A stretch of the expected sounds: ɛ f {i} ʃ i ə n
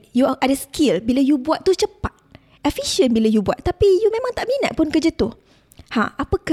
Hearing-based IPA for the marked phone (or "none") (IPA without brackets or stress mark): i